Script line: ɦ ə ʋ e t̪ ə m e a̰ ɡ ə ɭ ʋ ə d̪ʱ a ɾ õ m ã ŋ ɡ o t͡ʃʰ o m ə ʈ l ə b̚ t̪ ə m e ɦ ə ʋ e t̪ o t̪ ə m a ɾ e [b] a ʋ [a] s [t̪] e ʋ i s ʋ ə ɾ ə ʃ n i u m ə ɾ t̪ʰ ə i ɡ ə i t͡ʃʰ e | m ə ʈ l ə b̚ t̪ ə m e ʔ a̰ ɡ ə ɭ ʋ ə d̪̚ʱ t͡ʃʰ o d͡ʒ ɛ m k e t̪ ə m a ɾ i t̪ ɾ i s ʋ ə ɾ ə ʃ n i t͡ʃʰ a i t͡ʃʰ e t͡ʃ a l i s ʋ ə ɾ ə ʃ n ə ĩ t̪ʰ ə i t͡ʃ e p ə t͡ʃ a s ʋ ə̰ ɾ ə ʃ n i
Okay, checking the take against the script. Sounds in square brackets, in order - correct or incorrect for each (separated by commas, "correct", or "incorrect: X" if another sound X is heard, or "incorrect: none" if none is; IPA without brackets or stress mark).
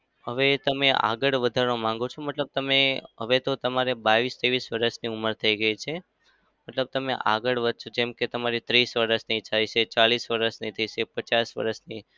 correct, incorrect: i, correct